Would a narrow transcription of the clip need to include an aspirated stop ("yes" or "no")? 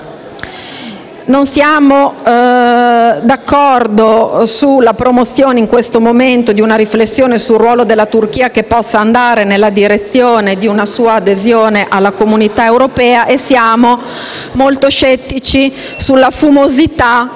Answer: no